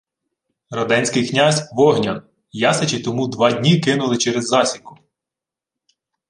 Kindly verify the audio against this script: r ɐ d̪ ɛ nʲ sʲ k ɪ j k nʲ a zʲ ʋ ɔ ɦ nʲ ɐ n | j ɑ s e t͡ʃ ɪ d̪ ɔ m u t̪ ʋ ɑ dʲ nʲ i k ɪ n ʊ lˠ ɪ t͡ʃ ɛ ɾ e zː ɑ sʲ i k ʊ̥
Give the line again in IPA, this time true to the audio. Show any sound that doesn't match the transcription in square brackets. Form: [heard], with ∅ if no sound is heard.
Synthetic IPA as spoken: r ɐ d̪ ɛ nʲ sʲ k ɪ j k nʲ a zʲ ʋ ɔ ɦ nʲ ɐ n | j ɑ s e t͡ʃ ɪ [t̪] ɔ m u [d̪] ʋ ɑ dʲ nʲ i k ɪ n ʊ lˠ ɪ t͡ʃ ɛ ɾ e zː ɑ sʲ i k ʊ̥